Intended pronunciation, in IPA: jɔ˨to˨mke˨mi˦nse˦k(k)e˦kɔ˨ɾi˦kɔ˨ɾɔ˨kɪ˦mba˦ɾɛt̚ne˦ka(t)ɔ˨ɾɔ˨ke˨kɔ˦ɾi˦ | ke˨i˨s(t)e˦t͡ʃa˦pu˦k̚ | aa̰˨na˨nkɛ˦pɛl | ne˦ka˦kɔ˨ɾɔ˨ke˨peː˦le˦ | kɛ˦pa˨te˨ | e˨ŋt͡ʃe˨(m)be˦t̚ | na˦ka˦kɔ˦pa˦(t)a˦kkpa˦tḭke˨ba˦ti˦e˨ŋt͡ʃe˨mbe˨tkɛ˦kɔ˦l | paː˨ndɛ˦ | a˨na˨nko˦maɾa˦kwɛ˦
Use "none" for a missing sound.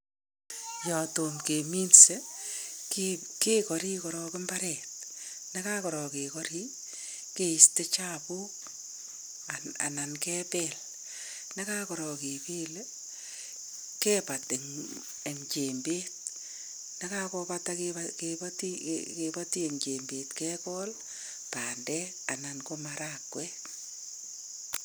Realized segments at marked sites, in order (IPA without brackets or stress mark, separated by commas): k, k, t, m, t